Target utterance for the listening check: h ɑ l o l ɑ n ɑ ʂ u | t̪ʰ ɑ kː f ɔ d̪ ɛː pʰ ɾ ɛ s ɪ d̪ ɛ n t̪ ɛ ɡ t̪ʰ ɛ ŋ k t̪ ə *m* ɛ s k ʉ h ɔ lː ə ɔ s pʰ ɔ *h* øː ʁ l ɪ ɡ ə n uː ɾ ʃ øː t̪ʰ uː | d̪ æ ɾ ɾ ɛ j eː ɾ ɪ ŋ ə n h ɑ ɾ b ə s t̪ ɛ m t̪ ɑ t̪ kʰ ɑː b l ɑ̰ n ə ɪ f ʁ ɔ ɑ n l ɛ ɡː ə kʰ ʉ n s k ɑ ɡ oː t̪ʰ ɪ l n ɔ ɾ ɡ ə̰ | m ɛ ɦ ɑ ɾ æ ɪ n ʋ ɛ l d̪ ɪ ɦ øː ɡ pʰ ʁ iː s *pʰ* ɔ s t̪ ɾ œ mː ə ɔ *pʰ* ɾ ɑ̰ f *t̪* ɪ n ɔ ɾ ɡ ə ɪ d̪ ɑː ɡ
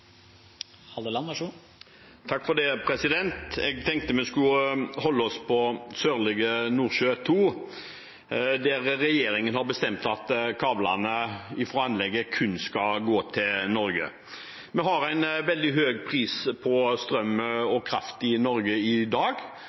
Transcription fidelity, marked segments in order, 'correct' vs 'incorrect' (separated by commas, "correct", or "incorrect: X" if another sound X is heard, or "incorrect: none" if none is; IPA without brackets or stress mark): correct, incorrect: s, correct, incorrect: kʰ, correct